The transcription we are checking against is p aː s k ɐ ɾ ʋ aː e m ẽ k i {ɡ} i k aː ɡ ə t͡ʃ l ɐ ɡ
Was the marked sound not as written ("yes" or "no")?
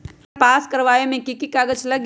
yes